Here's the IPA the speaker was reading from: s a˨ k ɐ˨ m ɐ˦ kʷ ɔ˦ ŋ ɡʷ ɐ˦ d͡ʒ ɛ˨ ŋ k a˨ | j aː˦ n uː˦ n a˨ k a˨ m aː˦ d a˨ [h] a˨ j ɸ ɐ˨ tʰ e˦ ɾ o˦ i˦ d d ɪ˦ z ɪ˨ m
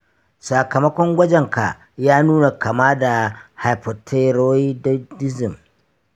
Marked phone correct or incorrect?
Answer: correct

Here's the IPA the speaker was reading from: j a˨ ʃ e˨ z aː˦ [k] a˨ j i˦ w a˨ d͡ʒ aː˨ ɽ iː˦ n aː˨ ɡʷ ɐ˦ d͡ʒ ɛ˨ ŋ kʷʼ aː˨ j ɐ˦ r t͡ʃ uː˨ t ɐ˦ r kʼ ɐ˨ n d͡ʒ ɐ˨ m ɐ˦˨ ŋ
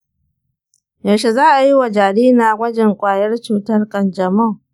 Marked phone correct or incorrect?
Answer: incorrect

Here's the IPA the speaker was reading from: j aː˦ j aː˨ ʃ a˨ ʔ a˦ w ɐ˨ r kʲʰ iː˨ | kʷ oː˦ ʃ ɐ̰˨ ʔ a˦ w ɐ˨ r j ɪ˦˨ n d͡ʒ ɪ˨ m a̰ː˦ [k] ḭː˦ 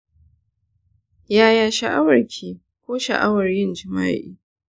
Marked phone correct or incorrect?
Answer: incorrect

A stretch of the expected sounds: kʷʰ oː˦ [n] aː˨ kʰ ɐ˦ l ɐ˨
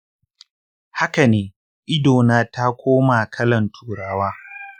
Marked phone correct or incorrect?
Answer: incorrect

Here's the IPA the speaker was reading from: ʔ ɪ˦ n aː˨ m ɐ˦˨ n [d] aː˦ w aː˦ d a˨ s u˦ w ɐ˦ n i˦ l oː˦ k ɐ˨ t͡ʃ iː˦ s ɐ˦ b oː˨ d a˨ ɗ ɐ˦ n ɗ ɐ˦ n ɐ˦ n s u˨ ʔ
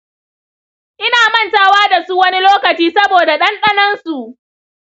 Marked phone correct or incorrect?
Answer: incorrect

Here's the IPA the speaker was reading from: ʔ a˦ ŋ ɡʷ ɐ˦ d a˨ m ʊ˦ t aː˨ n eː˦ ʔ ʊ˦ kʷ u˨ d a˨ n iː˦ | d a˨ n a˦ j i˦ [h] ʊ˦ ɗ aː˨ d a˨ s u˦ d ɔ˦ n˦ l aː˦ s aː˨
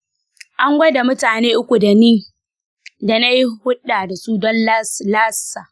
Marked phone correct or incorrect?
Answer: correct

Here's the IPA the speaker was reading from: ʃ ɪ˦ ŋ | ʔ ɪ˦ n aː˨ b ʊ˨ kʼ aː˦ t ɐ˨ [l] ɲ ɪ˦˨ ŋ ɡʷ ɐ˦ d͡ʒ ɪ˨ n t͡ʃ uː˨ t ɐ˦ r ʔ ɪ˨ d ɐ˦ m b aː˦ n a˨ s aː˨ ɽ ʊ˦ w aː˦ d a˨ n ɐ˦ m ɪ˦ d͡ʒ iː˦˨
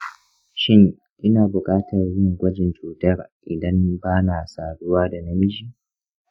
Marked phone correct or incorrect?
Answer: incorrect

